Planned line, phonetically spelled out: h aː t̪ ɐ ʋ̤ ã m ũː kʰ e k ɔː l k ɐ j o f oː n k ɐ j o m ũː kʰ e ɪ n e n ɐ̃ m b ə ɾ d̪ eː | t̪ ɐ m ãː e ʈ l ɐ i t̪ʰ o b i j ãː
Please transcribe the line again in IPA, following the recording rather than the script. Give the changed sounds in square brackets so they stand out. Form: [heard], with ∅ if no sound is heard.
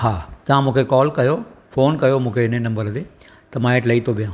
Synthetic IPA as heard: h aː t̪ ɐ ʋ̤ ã m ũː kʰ e k ɔː l k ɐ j o f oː n k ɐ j o m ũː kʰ e ɪ n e n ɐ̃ m b ə ɾ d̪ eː | t̪ ɐ m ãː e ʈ l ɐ i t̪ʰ o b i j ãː